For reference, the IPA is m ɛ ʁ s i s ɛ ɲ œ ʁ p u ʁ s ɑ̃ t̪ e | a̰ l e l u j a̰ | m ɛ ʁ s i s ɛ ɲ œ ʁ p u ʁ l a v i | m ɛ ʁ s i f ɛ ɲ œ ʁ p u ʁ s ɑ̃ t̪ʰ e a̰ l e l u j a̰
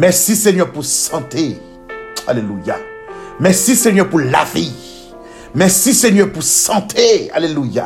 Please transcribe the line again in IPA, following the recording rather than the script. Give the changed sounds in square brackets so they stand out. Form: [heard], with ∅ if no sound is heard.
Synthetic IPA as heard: m ɛ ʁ s i s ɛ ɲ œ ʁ p u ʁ s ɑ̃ t̪ e | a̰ l e l u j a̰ | m ɛ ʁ s i s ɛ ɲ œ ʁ p u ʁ l a v i | m ɛ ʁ s i [s] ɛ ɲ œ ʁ p u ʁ s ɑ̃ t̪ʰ e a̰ l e l u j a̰